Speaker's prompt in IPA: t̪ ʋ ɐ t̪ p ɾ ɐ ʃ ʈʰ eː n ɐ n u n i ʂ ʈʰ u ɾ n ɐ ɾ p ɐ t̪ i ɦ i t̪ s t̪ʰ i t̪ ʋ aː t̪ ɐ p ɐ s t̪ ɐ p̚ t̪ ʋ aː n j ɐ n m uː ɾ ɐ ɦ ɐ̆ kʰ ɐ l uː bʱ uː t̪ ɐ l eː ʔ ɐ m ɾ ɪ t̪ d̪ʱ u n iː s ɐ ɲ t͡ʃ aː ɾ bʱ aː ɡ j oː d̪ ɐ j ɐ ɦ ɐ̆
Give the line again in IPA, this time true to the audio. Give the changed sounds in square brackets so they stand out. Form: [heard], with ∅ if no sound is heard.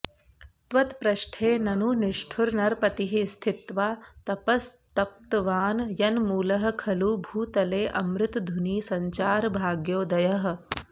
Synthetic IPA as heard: t̪ ʋ ɐ t̪ p ɾ ɐ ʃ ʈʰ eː n ɐ n u n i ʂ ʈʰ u ɾ n ɐ ɾ p ɐ t̪ i ɦ i [∅] s t̪ʰ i t̪ ʋ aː t̪ ɐ p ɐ s t̪ ɐ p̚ t̪ ʋ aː n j ɐ n m uː [l] ɐ ɦ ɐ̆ kʰ ɐ l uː bʱ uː t̪ ɐ l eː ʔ ɐ m ɾ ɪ t̪ d̪ʱ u n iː s ɐ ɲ t͡ʃ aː ɾ bʱ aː ɡ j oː d̪ ɐ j ɐ ɦ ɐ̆